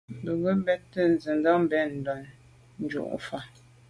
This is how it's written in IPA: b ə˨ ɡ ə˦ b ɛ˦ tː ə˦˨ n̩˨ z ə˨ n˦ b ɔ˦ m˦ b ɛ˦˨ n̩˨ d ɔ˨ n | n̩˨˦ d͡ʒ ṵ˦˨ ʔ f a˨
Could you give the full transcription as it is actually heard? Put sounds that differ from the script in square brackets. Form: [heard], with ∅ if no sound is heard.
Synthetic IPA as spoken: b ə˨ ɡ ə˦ b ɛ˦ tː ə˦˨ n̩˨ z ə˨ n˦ [d] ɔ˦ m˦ b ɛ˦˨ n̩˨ d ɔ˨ n | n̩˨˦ d͡ʒ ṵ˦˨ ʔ f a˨